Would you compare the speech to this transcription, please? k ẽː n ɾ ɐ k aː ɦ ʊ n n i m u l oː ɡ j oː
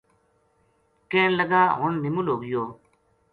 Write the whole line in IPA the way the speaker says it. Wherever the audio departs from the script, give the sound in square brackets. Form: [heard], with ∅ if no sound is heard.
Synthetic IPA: k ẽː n [l] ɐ [ɡ] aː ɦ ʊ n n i m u l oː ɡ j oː